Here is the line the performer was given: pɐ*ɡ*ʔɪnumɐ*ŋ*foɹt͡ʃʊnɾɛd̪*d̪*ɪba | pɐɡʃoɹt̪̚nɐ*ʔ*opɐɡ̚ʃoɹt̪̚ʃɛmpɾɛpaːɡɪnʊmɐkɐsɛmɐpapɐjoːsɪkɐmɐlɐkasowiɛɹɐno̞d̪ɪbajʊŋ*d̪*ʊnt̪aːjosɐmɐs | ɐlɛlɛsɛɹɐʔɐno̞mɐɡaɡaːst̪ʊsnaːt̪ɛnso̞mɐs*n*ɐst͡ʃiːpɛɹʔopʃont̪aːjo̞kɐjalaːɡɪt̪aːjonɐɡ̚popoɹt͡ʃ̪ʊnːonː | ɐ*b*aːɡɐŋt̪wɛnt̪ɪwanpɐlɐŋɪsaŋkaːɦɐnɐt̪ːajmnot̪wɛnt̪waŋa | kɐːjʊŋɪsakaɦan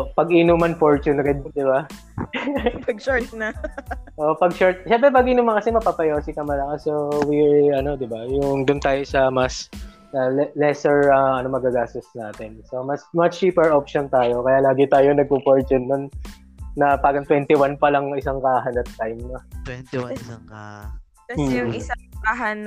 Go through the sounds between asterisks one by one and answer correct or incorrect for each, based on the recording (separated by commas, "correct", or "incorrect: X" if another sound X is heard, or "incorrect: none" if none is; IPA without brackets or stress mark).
correct, incorrect: n, correct, correct, correct, incorrect: m, incorrect: p